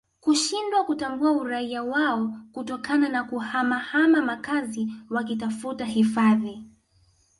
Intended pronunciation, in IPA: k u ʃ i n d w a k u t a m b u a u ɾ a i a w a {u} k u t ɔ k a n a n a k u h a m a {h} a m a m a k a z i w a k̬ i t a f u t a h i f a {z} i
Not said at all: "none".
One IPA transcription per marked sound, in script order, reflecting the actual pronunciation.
ɔ, h, ð

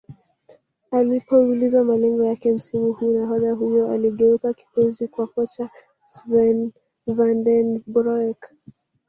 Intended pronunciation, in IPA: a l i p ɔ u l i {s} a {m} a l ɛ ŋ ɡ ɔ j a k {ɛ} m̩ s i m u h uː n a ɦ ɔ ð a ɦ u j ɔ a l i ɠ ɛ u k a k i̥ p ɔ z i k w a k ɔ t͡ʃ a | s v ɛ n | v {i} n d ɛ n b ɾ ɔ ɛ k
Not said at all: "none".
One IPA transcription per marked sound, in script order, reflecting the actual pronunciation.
z, m, ɛ, a

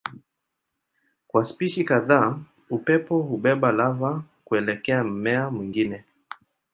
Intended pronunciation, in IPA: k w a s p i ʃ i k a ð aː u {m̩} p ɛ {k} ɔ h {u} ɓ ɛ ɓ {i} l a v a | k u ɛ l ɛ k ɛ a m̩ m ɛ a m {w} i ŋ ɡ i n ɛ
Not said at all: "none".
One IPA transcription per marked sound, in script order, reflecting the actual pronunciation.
none, p, u, a, w

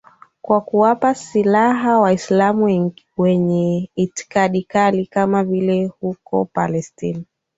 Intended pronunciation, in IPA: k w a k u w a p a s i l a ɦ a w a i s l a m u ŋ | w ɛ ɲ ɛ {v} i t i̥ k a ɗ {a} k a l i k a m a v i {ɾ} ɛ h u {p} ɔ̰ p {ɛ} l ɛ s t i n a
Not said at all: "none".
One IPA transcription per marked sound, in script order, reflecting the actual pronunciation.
none, i, l, k, a

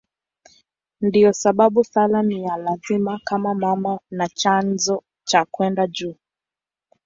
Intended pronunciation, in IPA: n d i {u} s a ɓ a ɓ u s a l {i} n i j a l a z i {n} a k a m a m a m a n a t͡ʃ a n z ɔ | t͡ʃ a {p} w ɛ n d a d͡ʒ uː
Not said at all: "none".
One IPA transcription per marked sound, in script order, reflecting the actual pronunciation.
ɔ, a, m, k

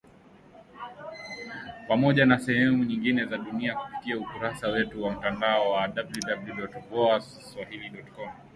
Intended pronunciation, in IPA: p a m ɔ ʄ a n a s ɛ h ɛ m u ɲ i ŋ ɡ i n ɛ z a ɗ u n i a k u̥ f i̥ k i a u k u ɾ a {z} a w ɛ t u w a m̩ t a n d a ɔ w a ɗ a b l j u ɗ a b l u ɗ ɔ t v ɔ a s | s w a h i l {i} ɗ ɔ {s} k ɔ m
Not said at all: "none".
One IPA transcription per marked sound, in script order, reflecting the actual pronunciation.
s, i, t

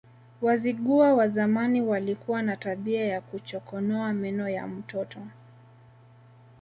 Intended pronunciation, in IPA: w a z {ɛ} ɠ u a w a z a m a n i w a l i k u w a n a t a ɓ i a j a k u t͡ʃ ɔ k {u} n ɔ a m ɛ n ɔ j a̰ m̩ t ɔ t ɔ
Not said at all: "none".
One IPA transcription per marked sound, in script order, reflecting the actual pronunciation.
i, ɔ

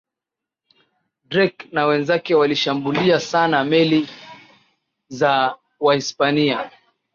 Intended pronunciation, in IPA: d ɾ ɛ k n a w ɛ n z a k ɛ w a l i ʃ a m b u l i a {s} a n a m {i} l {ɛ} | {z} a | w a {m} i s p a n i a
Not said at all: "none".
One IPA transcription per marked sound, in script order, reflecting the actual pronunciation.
s, ɛ, i, z, none

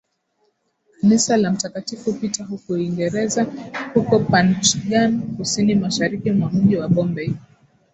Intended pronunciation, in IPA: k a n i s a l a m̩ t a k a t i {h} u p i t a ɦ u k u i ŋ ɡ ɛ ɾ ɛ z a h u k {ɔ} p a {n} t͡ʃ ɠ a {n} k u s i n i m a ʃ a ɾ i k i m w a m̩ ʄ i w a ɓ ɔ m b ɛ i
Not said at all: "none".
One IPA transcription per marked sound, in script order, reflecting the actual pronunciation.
f, ɔ, n, n

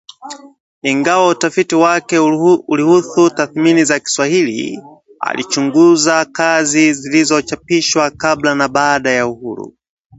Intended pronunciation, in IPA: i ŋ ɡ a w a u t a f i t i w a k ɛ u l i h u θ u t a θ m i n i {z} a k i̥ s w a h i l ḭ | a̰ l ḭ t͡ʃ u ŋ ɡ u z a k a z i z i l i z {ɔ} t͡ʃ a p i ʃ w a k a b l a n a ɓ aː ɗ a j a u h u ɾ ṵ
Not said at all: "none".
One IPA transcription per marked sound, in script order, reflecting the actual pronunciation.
z, ɔ

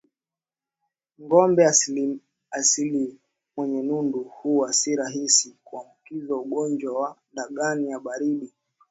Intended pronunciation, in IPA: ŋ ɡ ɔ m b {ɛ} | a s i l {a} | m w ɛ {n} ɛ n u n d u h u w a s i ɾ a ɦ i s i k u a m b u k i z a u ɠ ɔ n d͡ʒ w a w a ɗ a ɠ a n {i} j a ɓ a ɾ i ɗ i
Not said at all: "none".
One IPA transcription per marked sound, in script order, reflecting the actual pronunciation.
ɛ, i, ɲ, i

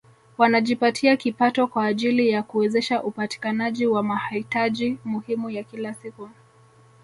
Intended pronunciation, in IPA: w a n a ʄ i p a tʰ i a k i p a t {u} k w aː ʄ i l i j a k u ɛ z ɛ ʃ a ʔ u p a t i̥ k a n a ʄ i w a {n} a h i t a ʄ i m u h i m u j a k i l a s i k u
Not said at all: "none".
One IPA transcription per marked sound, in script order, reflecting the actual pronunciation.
ɔ, m

